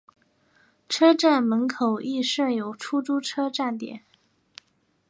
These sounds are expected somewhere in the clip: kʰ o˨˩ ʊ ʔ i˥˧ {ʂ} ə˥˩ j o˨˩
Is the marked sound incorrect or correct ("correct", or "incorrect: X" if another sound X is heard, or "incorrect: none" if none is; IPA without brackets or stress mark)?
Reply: correct